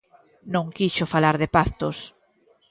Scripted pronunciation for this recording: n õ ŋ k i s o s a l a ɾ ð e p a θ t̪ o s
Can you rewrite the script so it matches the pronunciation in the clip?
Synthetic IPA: n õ ŋ k i ʃ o f a l a ɾ ð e p a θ t̪ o s